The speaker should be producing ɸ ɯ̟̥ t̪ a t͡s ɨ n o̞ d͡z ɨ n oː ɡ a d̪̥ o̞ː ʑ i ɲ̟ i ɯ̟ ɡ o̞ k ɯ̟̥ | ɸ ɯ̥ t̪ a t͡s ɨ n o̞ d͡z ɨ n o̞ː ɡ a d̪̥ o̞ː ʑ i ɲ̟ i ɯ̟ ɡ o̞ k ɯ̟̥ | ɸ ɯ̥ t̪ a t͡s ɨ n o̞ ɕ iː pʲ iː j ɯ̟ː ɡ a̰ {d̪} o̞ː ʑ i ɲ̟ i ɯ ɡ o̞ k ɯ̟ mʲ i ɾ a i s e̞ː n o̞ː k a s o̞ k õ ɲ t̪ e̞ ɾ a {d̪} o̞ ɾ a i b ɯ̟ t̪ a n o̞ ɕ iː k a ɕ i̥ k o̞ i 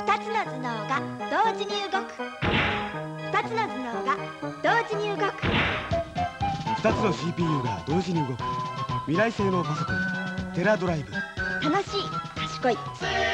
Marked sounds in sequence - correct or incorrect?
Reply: correct, correct

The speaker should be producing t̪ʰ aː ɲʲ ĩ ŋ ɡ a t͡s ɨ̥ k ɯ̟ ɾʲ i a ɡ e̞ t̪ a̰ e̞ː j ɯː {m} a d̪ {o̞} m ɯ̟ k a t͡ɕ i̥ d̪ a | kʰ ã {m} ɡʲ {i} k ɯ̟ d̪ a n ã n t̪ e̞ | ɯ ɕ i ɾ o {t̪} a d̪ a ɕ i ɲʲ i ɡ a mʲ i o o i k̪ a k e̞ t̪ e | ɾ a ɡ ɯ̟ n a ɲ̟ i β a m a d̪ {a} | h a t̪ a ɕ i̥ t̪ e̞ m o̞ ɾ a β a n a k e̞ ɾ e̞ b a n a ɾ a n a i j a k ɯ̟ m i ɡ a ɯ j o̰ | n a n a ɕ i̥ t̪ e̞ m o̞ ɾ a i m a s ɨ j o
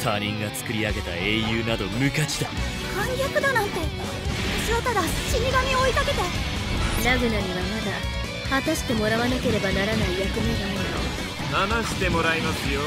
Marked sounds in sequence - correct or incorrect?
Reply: incorrect, correct, incorrect, incorrect, correct, correct

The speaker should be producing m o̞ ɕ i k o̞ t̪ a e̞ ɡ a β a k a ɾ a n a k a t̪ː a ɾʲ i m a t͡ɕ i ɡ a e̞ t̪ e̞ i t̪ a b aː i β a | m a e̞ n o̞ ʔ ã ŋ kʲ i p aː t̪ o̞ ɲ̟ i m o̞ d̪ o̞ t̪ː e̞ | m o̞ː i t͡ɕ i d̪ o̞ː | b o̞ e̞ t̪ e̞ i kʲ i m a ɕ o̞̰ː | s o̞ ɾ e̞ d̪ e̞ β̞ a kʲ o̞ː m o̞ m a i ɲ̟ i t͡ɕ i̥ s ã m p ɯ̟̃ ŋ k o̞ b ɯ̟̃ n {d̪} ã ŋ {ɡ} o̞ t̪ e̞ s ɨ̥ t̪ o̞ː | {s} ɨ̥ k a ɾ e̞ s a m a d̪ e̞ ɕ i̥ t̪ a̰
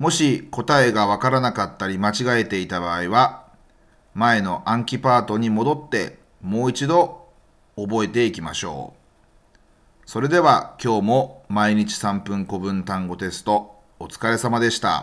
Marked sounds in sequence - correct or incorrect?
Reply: incorrect, correct, incorrect

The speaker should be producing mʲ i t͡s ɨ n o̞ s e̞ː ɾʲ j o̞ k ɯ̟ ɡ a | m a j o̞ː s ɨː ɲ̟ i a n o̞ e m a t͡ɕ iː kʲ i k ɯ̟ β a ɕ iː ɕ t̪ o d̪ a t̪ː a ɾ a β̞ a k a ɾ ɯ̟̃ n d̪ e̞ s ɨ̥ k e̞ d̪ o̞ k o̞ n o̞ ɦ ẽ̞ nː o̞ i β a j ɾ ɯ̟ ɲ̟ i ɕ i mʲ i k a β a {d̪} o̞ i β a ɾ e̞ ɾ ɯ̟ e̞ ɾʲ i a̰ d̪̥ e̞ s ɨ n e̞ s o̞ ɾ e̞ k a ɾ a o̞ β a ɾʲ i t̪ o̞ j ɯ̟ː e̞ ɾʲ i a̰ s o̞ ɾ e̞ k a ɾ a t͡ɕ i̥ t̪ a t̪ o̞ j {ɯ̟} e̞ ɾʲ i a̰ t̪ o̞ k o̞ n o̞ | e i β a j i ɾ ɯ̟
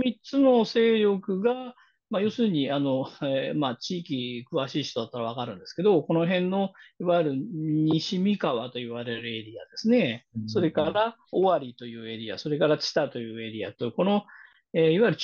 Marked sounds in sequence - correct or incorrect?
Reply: incorrect, incorrect

